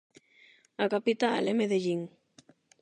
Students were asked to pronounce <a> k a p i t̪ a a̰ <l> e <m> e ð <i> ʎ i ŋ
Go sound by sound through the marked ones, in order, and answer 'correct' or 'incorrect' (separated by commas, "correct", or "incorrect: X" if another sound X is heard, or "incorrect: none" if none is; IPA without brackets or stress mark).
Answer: correct, correct, correct, incorrect: e